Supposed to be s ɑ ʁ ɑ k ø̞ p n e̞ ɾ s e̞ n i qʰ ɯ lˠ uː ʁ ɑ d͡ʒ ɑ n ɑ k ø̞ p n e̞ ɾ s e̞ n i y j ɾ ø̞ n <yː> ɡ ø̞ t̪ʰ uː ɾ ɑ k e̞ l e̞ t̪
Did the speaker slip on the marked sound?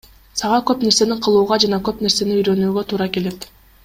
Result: no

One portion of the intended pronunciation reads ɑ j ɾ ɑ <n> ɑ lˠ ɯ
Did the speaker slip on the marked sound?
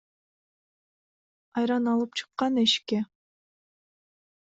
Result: no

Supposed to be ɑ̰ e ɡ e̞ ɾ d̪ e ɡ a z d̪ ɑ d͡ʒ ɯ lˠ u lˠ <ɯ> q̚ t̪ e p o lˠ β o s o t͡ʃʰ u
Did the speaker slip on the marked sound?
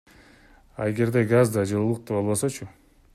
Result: yes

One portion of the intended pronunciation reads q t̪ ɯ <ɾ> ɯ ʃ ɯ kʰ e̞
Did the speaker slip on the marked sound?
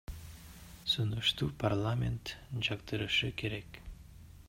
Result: no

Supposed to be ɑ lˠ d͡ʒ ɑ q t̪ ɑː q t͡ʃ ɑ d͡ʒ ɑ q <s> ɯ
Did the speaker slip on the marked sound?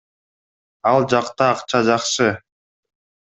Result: yes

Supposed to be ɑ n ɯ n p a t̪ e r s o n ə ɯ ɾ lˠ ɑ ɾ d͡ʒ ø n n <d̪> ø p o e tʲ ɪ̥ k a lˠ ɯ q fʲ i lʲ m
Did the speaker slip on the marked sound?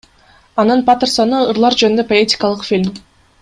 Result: no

